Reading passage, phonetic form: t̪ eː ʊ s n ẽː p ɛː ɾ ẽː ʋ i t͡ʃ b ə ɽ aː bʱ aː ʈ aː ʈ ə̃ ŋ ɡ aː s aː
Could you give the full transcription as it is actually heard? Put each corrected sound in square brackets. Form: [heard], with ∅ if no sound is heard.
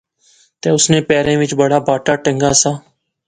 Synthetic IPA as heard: t̪ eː ʊ s n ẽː p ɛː ɾ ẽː ʋ [ɪ] t͡ʃ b ə ɽ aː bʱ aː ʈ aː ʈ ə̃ ŋ ɡ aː s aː